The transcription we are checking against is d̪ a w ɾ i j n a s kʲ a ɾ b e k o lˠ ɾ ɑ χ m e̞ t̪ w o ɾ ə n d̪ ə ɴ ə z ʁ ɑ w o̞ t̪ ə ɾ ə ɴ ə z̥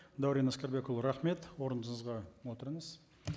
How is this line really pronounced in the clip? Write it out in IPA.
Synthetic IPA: d̪ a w ɾ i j n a s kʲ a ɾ b e k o lˠ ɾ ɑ χ m e̞ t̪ w o ɾ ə n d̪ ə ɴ ə z ʁ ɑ w o̞ t̪ ə ɾ ə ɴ ə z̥